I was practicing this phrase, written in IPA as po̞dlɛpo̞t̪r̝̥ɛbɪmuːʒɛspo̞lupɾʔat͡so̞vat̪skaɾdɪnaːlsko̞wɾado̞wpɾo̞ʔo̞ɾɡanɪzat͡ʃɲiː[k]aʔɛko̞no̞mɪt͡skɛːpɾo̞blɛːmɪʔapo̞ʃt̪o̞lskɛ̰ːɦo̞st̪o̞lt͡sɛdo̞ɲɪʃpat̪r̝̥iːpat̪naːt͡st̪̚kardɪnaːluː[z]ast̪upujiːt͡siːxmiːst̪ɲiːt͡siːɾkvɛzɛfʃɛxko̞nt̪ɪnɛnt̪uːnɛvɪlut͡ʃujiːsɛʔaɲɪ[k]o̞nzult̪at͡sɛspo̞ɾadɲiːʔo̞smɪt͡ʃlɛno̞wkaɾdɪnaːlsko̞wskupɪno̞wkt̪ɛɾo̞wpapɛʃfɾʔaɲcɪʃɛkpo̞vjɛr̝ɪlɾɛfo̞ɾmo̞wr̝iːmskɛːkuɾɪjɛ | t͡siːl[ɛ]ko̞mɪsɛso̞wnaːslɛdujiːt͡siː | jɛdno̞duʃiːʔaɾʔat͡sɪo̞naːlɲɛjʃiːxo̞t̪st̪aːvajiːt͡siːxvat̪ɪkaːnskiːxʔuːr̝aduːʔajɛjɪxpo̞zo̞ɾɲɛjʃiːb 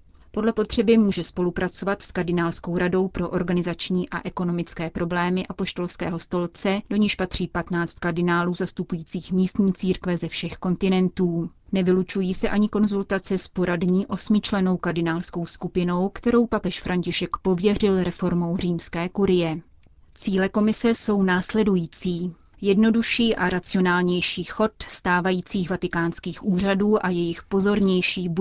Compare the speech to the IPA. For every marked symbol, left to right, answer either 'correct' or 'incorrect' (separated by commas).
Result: incorrect, correct, correct, correct